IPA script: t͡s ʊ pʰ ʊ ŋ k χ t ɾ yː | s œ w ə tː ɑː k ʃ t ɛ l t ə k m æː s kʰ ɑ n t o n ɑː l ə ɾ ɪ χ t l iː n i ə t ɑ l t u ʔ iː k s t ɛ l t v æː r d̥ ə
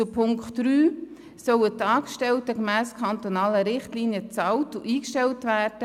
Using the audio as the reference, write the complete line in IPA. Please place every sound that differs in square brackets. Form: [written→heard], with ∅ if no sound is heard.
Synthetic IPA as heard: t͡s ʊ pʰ ʊ ŋ k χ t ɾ yː | s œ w ə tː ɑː k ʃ t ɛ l t ə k m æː s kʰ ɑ n t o n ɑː l ə ɾ ɪ χ t l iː n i ə [t→t͡s] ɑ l t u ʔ iː k [s→ʃ] t ɛ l t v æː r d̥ ə

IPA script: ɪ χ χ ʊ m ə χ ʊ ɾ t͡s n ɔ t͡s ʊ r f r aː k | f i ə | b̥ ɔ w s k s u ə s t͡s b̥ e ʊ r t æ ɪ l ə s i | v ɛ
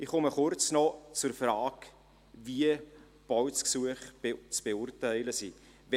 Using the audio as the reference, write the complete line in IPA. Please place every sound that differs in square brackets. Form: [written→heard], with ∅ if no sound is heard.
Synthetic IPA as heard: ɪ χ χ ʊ m ə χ ʊ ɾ t͡s n ɔ t͡s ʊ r f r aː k | [f→v] i ə | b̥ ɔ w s k s u ə [s→χ] t͡s b̥ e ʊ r t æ ɪ l ə s i | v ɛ

